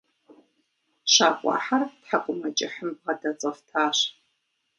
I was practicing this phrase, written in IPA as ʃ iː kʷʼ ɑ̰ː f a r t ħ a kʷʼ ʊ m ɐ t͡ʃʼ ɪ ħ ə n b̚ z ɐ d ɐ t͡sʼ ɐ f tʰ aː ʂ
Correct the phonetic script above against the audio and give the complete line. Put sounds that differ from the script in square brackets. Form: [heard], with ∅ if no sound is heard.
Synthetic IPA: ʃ [aː] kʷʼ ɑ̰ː [ħ] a r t ħ a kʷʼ ʊ m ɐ t͡ʃʼ ɪ ħ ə [m] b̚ [ʁ] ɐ d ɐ t͡sʼ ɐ f tʰ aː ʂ